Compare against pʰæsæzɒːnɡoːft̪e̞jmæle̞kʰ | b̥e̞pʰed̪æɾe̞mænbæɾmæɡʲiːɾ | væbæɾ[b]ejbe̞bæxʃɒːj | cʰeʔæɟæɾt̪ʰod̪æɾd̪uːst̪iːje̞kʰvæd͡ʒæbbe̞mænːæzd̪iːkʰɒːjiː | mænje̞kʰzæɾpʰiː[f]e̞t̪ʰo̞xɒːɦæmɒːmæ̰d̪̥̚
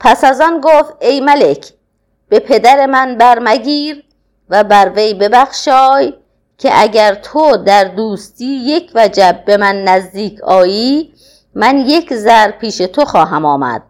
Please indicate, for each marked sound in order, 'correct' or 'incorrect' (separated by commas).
incorrect, incorrect